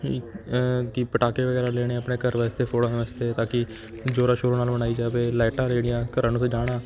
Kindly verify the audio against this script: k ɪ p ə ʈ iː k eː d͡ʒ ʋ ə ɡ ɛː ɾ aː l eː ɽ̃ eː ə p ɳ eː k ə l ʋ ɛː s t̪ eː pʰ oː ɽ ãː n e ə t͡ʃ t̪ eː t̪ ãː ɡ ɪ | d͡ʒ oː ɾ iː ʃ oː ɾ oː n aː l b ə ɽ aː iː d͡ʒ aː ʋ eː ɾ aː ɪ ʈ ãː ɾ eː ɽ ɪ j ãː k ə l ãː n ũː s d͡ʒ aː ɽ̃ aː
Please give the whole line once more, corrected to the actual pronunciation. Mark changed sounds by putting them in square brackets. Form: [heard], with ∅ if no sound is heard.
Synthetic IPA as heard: k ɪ p ə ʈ [aː] k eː [∅] ʋ ə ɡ ɛː ɾ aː l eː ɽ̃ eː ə p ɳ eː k ə [ɾ] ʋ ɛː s t̪ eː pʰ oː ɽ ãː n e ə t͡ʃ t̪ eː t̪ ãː [k] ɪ | d͡ʒ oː ɾ [aː] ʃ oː ɾ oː n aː l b ə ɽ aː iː d͡ʒ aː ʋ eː [l] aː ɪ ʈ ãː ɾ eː ɽ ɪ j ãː k ə [ɾ] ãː n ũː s d͡ʒ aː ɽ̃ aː